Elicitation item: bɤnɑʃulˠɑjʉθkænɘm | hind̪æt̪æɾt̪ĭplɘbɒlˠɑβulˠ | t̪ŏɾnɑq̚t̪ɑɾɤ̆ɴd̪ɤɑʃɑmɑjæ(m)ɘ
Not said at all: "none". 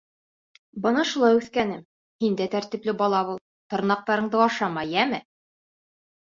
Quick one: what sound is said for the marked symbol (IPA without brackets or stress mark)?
m